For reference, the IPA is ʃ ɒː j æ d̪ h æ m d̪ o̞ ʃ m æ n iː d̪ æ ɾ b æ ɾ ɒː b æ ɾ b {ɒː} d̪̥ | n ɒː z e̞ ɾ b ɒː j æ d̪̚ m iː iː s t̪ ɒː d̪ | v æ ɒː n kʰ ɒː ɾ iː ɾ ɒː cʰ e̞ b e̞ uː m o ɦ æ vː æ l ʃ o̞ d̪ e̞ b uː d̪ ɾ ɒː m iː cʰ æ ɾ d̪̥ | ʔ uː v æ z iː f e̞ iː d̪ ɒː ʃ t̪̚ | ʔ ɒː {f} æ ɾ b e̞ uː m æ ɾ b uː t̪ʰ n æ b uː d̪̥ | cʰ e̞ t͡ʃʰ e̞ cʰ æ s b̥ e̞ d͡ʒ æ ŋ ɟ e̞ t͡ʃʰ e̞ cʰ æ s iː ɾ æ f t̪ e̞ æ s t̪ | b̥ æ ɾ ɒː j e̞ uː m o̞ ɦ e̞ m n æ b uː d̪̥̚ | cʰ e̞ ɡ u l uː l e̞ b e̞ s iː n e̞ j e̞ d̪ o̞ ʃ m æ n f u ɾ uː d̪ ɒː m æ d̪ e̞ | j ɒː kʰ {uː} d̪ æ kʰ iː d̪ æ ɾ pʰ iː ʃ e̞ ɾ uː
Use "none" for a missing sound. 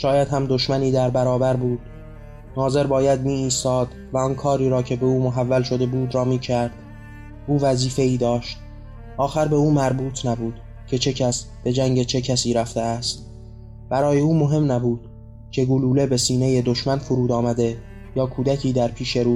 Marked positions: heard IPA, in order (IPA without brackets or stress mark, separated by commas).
uː, x, uː